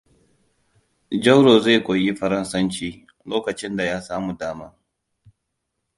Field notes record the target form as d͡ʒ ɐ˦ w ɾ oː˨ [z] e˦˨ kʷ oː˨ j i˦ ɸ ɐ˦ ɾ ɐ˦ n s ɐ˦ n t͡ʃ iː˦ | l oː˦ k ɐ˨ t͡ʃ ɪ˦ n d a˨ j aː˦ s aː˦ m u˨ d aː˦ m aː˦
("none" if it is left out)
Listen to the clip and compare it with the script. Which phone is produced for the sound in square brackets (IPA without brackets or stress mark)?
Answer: z